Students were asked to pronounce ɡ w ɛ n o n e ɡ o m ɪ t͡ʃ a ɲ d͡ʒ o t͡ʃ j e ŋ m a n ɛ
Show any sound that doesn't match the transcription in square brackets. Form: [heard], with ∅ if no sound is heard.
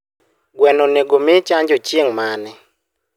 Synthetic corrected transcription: ɡ w ɛ n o n e ɡ o m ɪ t͡ʃ a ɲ d͡ʒ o t͡ʃ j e ŋ m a n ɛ